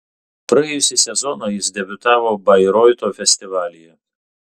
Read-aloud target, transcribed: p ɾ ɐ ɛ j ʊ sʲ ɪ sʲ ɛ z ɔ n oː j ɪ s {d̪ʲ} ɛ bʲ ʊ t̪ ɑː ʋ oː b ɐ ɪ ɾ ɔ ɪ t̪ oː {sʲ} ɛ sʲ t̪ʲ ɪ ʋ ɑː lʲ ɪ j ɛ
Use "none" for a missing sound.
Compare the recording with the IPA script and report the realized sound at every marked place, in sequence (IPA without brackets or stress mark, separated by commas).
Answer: d̪ʲ, fʲ